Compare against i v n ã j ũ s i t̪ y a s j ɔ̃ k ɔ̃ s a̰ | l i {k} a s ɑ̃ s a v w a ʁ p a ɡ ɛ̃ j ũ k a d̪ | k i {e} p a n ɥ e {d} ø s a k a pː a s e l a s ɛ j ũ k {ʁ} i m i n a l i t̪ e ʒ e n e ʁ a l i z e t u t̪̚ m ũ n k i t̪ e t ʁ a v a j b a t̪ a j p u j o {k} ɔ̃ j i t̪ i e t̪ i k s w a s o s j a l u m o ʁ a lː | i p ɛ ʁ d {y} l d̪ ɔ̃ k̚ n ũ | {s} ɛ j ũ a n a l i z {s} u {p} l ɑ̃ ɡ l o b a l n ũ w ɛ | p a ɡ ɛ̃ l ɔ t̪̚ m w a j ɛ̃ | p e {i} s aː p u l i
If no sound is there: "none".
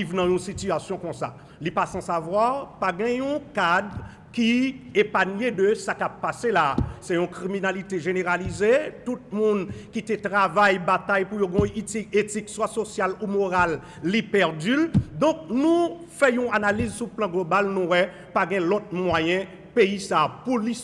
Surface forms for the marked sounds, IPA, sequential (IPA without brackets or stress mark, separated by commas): p, e, d, ʁ, ɡ, y, f, s, p, i